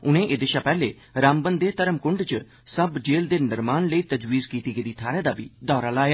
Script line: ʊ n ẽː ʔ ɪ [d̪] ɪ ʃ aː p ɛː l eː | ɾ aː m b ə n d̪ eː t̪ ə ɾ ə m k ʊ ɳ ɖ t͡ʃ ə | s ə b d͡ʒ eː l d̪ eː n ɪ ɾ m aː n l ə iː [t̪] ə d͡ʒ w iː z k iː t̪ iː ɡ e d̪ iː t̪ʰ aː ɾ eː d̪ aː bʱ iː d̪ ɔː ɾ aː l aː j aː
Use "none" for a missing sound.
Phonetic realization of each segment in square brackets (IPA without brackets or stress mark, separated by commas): d̪, t̪